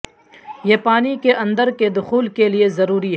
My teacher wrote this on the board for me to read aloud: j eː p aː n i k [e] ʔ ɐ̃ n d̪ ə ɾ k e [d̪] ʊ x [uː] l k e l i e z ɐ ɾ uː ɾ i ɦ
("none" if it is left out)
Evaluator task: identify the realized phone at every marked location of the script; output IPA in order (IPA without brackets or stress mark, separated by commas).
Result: e, d̪, uː